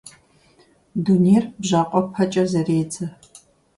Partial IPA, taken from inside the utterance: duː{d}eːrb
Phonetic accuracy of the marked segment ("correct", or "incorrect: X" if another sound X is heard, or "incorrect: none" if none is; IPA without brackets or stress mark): incorrect: n